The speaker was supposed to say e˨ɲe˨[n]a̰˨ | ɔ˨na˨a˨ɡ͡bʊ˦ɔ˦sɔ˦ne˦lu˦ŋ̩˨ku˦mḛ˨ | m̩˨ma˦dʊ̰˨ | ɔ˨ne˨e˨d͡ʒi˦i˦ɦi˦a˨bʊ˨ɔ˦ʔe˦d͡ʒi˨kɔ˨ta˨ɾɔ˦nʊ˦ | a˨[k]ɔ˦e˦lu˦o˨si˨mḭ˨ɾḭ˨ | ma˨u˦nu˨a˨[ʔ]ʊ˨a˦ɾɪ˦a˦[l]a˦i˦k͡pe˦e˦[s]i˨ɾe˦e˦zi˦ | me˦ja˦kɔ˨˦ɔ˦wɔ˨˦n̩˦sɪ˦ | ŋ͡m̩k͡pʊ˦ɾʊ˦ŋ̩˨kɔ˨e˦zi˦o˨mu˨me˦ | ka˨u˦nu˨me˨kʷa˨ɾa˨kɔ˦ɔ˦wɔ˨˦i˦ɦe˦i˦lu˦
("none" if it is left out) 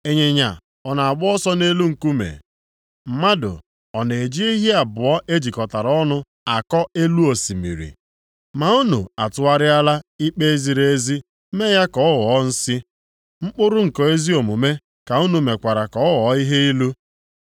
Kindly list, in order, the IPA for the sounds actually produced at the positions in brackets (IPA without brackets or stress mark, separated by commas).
ɲ, k, t, l, z